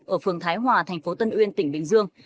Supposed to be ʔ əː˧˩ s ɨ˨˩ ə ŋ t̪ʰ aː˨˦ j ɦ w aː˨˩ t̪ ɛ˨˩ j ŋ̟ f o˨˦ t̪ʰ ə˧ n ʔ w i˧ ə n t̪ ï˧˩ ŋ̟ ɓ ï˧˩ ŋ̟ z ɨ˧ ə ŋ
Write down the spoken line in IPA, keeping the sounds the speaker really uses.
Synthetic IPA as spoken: ʔ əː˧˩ f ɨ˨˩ ə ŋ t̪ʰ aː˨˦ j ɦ w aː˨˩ t̪ʰ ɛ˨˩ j ŋ̟ f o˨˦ t̪ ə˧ n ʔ w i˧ ə n t̪ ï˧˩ ŋ̟ ɓ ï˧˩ ŋ̟ z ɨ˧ ə ŋ